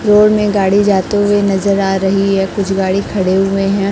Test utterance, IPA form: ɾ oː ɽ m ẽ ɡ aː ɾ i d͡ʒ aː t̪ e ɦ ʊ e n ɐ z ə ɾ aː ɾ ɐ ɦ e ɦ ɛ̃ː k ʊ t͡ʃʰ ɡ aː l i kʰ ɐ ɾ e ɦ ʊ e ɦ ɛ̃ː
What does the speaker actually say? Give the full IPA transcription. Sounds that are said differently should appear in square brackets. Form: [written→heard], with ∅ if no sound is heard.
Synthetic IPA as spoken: ɾ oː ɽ m ẽ ɡ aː [ɾ→ɽ] i d͡ʒ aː t̪ e ɦ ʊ e n ɐ z ə ɾ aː ɾ ɐ ɦ [e→i] ɦ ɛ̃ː k ʊ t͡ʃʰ ɡ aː [l→ɽ] i kʰ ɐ [ɾ→ɽ] e ɦ ʊ e ɦ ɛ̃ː